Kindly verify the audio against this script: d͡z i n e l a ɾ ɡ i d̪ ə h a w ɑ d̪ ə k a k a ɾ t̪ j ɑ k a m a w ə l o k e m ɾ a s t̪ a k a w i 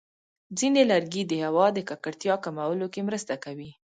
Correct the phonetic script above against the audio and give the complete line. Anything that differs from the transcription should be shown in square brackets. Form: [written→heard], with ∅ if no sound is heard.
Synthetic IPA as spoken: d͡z i n e l a ɾ ɡ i d̪ ə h a w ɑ d̪ ə k a k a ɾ t̪ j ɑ k a m a w ə l o k e m ɾ [a→ə] s t̪ a k a w i